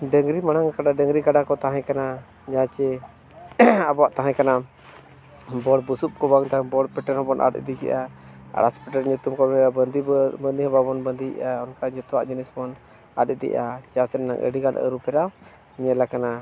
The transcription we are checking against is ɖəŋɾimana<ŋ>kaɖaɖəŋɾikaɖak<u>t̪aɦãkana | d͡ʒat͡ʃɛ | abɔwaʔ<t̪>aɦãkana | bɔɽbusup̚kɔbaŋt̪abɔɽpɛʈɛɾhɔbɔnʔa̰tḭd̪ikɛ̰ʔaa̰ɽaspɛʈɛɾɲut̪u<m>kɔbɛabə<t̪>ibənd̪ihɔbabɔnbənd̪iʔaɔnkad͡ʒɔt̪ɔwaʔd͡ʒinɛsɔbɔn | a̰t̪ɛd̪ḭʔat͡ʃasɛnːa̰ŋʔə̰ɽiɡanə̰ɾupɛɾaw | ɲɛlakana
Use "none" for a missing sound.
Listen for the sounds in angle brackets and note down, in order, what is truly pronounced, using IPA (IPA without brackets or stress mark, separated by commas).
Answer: ŋ, ɔ, t̪, m, d̪